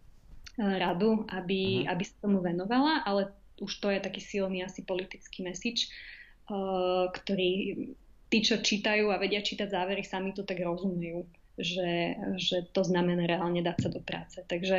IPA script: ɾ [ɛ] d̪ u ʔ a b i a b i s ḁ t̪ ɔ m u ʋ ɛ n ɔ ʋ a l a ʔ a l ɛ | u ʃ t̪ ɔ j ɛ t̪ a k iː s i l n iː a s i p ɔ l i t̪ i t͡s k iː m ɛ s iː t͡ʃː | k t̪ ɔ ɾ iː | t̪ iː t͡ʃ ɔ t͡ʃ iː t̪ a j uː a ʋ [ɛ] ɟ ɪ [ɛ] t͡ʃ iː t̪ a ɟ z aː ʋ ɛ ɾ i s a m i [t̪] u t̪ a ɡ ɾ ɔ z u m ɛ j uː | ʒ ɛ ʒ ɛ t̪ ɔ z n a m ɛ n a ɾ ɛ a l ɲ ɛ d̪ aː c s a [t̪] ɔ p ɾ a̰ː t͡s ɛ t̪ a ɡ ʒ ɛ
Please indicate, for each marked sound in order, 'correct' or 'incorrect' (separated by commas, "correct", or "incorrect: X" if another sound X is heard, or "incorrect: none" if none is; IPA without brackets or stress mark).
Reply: incorrect: a, correct, incorrect: a, correct, incorrect: d̪